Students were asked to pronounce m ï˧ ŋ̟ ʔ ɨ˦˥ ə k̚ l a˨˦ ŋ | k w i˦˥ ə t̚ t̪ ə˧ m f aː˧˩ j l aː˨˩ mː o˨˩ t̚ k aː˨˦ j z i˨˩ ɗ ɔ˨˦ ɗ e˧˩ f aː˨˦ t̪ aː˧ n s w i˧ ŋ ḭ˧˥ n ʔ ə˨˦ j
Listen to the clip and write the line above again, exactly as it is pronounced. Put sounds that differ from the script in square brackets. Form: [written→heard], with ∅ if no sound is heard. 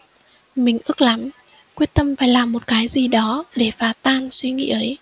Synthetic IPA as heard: m [ï˧→ï˨˩] ŋ̟ ʔ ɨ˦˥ ə k̚ l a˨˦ [ŋ→m] | k w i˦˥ ə t̚ t̪ ə˧ m f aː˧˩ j l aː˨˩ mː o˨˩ t̚ k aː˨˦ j z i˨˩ ɗ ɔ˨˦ ɗ e˧˩ f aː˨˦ t̪ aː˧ n s w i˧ ŋ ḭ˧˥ [n→∅] ʔ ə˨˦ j